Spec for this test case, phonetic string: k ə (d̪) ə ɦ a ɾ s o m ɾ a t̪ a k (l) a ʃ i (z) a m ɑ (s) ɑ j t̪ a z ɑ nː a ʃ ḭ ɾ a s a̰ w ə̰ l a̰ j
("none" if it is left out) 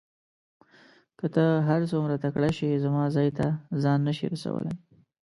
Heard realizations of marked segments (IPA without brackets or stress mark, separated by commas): t̪, ɽ, z, z